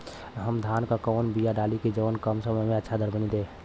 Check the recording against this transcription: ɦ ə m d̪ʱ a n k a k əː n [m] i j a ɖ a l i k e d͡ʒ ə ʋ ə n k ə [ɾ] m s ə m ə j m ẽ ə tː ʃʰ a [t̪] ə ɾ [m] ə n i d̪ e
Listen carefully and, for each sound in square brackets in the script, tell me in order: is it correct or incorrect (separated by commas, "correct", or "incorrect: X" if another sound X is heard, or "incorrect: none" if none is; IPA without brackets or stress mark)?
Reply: incorrect: b, incorrect: none, incorrect: d̪, incorrect: b